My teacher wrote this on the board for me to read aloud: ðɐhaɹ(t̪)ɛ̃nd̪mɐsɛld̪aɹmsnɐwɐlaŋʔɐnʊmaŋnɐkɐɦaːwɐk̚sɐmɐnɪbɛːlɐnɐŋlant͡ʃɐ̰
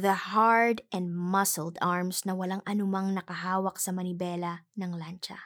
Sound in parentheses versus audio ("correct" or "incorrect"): incorrect